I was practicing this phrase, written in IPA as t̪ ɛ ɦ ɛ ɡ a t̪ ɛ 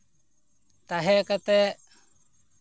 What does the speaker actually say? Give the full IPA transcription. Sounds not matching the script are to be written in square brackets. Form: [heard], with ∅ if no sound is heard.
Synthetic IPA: t̪ [a] ɦ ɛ [k] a t̪ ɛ